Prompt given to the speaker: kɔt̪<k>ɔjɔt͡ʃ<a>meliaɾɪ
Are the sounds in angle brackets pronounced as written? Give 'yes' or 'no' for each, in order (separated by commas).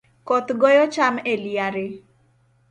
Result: no, yes